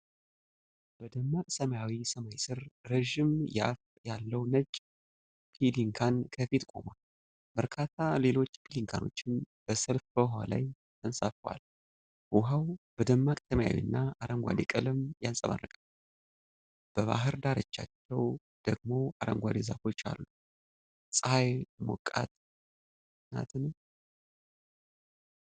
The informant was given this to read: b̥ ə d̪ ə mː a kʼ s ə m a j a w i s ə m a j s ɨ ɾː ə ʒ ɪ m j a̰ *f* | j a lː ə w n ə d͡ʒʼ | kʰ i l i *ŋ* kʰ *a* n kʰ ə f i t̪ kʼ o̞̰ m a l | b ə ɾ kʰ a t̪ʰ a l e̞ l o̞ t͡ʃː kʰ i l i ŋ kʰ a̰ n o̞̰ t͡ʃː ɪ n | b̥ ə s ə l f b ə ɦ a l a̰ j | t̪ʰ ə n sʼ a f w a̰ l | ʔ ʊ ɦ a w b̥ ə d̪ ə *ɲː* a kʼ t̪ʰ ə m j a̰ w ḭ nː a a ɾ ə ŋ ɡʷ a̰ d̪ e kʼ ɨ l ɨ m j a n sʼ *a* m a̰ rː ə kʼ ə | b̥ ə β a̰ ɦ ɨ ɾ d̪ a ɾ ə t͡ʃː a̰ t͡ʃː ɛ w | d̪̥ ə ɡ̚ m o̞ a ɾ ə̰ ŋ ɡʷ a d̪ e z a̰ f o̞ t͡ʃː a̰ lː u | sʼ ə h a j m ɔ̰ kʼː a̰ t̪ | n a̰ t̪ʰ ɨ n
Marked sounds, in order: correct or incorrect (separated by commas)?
correct, correct, correct, incorrect, incorrect